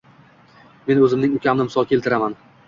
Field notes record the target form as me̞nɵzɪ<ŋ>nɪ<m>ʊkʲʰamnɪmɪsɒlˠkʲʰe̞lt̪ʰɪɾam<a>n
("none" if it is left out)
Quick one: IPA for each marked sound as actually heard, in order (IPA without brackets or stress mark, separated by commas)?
m, ŋ, a